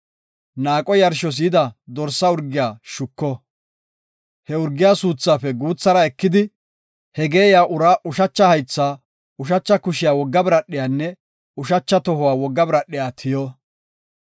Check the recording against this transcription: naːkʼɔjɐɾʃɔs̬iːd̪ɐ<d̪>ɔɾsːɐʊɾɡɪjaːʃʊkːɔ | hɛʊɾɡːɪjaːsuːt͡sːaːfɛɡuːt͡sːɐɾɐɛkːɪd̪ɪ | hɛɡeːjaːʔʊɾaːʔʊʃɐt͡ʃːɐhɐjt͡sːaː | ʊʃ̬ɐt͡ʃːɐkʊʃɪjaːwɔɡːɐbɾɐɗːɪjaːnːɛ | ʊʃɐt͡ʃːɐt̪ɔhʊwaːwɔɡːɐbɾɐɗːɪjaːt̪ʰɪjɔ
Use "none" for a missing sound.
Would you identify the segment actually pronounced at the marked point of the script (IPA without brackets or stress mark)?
d̪